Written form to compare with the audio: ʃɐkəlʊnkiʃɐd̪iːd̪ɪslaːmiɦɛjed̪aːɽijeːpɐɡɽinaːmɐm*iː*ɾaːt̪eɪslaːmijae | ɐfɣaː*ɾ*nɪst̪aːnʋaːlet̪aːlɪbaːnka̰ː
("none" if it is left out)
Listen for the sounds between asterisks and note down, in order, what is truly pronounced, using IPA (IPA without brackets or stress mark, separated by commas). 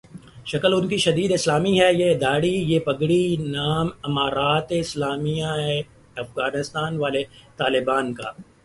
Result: aː, none